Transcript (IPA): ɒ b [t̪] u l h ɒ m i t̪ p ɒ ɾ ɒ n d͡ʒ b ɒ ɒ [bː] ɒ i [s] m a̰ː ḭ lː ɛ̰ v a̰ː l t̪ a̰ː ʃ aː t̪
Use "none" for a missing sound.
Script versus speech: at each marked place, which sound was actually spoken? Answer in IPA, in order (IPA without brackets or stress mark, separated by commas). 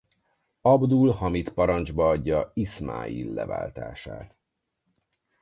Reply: d̪, ɟː, s